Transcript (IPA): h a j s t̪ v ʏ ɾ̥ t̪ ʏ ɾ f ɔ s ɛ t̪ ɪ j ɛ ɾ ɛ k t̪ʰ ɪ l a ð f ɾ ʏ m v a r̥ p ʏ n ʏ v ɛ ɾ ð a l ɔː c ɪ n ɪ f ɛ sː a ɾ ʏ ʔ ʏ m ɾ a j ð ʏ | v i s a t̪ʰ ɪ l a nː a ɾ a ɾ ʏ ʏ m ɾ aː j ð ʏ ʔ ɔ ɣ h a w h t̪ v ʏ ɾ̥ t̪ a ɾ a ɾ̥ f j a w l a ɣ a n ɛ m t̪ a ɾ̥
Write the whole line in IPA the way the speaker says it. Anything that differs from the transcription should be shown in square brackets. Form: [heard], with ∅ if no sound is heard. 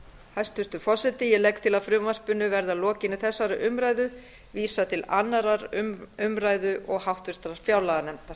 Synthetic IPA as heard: h a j s t̪ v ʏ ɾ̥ t̪ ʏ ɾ f ɔ s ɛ t̪ ɪ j ɛ [l] ɛ k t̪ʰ ɪ l a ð f ɾ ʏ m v a r̥ p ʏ n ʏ v ɛ ɾ ð a l ɔː c ɪ n ɪ [θ] ɛ sː a ɾ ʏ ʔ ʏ m ɾ a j ð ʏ | v [iː] s a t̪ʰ ɪ l a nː a ɾ a ɾ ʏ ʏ m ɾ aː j ð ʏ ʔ ɔ ɣ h a w h t̪ v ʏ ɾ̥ t̪ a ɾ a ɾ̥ f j a w l a ɣ a n ɛ m t̪ a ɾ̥